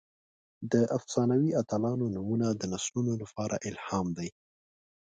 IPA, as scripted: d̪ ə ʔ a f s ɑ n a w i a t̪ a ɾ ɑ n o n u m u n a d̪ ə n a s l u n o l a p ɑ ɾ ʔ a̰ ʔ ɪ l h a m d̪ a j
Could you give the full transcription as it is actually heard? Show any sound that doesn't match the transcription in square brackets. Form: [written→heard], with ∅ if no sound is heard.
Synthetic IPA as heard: d̪ ə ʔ a f s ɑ n a w i a t̪ a [ɾ→l] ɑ n o n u m u n a d̪ ə n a s l u n o l a p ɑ ɾ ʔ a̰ ʔ ɪ l h [a→ɑ] m d̪ a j